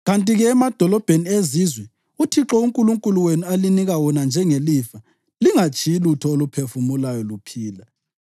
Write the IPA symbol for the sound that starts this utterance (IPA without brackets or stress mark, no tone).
ɣ